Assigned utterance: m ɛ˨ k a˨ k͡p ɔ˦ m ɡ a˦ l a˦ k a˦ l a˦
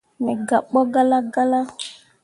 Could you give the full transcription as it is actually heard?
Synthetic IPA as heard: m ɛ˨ ɡ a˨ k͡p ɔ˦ ɡ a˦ l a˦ ɡ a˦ l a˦